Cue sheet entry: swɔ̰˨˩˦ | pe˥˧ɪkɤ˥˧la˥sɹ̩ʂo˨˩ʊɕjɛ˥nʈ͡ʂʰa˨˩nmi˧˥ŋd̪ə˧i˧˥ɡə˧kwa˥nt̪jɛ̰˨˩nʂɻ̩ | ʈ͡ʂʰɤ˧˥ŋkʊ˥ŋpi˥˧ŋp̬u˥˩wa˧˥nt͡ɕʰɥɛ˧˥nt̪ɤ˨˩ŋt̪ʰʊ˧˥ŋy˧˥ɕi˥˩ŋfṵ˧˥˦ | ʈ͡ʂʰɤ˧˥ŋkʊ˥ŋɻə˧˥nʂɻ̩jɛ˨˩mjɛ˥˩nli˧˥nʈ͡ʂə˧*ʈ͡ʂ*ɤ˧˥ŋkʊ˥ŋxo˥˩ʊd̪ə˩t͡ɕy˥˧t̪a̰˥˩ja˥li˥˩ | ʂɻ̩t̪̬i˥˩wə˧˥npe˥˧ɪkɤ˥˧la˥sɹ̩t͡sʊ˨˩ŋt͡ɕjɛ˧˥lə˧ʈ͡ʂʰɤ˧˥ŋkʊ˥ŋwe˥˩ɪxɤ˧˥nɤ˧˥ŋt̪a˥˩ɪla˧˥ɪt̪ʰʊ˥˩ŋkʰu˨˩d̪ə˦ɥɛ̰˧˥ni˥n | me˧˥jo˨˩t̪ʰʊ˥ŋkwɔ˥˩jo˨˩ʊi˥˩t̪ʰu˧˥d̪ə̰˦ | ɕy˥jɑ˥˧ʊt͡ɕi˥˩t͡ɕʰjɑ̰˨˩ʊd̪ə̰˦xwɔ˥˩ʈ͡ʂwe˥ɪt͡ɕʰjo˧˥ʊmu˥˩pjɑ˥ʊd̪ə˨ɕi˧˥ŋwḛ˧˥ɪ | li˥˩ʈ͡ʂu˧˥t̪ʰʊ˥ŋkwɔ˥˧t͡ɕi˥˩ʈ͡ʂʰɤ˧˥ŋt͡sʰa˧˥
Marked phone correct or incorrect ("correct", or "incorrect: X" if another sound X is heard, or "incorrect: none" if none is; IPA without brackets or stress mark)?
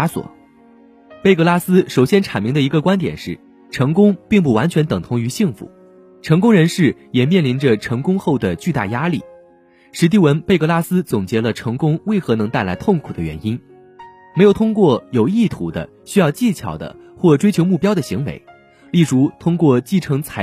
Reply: incorrect: ʈ͡ʂʰ